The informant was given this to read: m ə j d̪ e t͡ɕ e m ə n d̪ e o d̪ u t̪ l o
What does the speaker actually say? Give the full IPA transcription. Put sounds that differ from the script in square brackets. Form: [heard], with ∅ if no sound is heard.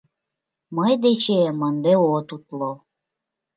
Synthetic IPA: m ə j d̪ e t͡ɕ e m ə n d̪ e o [t̪] u t̪ l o